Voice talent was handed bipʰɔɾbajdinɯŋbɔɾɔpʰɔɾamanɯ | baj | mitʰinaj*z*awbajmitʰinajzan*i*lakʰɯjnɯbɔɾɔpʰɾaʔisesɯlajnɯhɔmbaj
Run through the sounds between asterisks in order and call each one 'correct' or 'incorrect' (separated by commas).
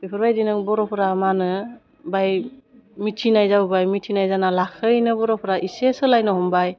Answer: correct, incorrect